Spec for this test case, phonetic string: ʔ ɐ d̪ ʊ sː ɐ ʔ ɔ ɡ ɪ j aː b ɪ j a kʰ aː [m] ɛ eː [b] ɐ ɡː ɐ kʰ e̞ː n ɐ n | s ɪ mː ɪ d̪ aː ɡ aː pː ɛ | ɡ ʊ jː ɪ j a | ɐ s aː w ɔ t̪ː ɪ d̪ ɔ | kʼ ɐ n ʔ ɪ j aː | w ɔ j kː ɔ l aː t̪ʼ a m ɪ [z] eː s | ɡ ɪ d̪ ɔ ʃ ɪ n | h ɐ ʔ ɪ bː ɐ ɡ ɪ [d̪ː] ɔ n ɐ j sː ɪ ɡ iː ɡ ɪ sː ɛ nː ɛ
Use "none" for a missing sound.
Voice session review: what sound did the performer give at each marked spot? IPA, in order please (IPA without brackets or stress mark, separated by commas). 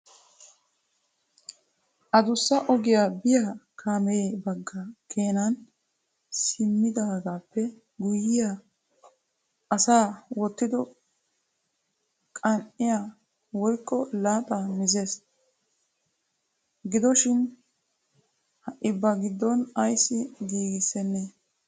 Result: m, b, z, d̪ː